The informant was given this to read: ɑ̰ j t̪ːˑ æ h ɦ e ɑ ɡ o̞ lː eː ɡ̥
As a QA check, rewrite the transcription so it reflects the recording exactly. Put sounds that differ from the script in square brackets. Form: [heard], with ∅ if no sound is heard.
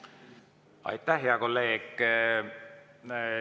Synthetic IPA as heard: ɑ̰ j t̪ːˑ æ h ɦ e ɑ [k] o̞ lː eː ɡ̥